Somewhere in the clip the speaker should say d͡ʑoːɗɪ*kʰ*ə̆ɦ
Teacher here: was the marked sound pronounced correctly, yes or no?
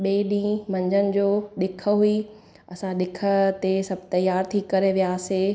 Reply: yes